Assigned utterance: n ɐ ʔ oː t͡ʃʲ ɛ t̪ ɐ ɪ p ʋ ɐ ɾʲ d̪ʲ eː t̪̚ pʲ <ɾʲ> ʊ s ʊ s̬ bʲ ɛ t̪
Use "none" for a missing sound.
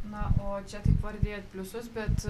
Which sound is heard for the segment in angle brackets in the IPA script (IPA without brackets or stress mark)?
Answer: lʲ